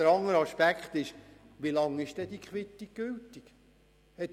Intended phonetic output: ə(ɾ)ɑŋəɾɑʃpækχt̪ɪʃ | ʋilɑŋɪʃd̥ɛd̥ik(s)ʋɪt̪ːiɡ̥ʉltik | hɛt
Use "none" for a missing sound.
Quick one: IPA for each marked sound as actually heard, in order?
ɾ, χ

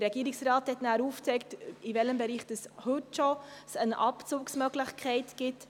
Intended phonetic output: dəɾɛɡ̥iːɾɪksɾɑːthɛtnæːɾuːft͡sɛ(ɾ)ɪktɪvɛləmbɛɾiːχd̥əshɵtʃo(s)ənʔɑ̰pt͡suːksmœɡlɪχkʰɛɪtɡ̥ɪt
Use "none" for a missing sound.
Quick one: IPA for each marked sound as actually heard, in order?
none, s

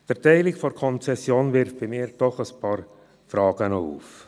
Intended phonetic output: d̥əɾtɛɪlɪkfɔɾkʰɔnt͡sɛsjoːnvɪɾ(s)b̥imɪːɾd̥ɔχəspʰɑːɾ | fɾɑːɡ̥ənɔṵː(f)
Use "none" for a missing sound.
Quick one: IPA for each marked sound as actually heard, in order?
f, f

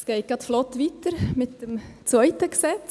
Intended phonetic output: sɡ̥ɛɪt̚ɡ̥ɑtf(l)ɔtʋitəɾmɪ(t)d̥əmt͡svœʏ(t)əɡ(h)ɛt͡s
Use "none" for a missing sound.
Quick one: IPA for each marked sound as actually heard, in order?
l, t, t, s

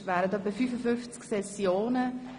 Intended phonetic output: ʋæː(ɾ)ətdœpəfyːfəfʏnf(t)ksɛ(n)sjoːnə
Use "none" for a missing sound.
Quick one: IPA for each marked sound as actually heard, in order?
ɾ, t͡s, none

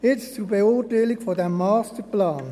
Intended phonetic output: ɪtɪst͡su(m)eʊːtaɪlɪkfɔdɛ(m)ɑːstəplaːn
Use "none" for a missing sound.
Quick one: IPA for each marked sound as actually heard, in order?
b, m

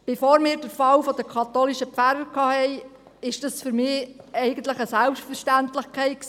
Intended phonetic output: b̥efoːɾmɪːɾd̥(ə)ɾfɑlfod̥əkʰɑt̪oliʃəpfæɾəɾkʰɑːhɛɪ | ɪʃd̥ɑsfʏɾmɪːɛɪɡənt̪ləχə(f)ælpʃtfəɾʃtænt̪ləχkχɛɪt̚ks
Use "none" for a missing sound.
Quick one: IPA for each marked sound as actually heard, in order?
ə, s

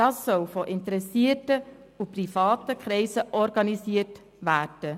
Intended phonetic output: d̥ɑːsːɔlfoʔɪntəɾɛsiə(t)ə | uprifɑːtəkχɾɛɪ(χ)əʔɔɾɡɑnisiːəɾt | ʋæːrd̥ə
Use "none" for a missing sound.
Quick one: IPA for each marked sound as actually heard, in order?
t, s

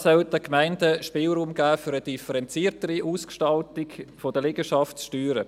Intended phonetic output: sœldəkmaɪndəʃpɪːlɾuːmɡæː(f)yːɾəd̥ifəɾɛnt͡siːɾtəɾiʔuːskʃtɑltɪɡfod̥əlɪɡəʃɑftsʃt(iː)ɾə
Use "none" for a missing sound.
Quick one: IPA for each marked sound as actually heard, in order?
f, yː

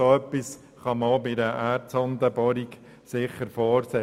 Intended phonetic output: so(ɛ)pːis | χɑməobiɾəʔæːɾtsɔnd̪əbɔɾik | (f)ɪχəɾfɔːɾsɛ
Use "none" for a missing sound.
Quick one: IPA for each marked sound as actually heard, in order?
œ, s

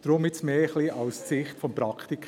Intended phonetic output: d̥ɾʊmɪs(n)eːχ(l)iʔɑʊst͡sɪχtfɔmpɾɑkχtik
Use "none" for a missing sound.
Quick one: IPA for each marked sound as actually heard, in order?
m, l

